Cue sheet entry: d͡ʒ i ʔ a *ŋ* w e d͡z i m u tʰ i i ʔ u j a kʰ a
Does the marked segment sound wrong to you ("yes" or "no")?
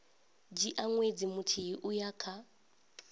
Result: no